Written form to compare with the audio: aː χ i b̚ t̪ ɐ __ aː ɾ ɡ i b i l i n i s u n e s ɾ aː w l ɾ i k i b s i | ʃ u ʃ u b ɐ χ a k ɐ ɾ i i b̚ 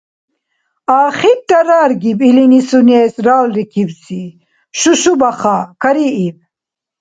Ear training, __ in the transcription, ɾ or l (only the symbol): ɾ